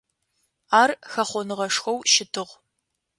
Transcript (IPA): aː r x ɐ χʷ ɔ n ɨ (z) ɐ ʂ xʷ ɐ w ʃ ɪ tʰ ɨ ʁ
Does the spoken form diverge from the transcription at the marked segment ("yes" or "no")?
yes